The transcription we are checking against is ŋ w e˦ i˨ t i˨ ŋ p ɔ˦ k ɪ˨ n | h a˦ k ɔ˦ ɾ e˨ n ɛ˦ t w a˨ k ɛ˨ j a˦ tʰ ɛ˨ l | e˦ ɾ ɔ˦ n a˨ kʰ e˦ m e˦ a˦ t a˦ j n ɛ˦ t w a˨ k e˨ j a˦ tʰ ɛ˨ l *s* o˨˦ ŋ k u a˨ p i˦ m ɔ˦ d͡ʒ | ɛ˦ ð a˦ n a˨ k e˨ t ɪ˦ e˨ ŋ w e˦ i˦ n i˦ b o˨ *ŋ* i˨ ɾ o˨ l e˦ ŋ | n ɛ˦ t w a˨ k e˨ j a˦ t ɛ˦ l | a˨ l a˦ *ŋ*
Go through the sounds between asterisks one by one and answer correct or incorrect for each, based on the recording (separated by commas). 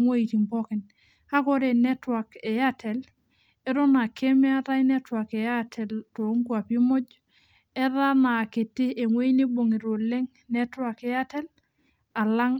incorrect, correct, correct